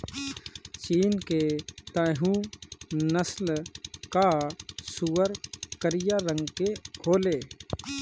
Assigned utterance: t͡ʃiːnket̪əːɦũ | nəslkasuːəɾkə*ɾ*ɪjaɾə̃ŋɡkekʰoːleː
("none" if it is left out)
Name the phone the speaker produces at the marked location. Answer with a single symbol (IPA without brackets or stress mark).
ɾ